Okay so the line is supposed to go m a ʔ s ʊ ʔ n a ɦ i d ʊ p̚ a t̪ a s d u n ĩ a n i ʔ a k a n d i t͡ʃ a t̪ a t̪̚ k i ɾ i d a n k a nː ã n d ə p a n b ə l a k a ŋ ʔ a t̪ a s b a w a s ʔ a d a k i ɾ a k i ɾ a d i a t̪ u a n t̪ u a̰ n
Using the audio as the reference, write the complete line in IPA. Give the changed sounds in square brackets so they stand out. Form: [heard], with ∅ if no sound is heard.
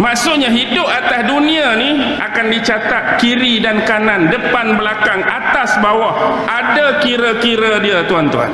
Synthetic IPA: m a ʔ s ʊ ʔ [ɲ] a ɦ i d ʊ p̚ a t̪ a s d u n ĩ a n i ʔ a k a n d i t͡ʃ a t̪ a t̪̚ k i ɾ i d a n k a [n] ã n d ə p a n b ə l a k a ŋ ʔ a t̪ a s b a w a [h] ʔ a d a k i ɾ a k i ɾ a d i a t̪ u a n t̪ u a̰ n